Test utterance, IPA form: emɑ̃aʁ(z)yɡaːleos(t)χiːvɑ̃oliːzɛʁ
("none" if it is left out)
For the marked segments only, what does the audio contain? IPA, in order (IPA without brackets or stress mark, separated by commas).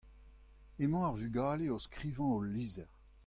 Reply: v, k